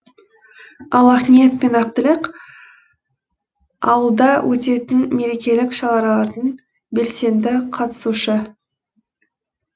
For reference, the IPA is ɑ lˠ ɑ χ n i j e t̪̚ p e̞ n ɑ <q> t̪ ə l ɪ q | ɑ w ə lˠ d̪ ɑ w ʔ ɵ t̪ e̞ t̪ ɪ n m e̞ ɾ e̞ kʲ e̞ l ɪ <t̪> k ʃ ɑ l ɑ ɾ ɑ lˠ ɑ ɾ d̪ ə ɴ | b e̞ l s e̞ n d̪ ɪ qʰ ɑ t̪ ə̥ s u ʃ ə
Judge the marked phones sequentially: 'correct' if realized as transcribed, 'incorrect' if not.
correct, incorrect

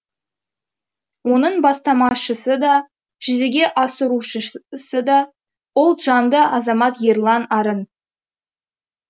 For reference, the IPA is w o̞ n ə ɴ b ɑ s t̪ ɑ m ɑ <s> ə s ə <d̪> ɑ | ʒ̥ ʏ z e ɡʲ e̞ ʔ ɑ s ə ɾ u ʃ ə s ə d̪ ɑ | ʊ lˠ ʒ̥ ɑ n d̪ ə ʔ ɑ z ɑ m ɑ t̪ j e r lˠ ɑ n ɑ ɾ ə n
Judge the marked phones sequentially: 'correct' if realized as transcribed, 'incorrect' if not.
incorrect, correct

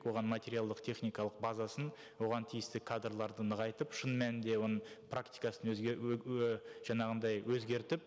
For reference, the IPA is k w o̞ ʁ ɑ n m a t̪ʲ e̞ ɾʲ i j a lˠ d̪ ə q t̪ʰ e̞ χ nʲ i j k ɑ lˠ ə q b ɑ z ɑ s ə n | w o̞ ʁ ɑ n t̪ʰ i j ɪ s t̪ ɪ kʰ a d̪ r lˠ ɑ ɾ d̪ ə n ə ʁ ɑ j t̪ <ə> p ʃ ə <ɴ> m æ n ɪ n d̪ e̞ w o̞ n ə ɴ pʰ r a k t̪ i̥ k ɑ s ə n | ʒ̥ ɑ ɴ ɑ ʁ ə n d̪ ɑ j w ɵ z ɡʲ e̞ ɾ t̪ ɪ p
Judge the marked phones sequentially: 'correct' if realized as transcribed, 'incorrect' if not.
correct, incorrect

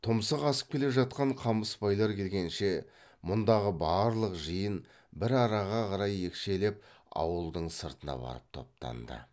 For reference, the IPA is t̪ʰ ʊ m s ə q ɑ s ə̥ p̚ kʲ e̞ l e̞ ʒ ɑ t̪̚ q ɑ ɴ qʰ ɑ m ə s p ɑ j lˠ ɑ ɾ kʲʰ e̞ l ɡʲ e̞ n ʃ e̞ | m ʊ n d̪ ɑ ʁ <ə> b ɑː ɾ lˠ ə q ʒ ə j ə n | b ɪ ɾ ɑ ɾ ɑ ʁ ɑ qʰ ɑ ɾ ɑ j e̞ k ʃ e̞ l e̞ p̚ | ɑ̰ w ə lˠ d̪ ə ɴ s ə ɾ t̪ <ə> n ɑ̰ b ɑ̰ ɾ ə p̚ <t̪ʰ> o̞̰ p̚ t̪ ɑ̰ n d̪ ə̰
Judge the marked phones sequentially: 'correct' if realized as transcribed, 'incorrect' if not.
correct, correct, correct

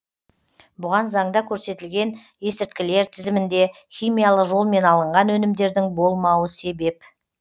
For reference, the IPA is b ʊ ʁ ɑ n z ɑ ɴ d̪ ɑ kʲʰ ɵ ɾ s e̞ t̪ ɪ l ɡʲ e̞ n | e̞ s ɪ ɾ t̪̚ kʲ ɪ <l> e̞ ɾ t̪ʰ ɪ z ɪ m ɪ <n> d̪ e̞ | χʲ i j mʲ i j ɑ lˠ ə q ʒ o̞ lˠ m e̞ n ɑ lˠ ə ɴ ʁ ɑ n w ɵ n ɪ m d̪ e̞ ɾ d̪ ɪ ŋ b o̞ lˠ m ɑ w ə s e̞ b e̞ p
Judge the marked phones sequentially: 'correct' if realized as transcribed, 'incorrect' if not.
correct, correct

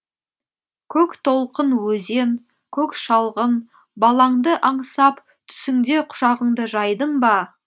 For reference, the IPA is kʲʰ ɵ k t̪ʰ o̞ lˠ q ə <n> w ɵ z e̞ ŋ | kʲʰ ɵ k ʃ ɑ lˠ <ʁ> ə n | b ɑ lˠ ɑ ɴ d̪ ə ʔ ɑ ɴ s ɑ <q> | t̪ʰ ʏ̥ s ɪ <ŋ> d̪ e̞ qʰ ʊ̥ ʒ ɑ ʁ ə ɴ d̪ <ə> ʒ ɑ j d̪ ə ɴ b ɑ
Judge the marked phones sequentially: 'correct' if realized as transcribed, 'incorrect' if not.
correct, correct, incorrect, correct, correct

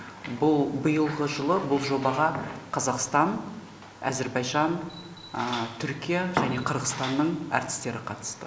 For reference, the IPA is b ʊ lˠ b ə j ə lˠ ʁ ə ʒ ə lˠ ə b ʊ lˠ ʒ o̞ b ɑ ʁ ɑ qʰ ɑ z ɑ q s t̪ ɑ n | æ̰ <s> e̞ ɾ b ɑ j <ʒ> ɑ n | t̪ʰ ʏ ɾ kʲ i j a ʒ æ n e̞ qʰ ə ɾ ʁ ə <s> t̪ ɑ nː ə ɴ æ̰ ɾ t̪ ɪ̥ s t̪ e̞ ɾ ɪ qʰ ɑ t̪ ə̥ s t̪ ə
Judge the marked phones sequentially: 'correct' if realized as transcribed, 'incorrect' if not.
incorrect, correct, correct

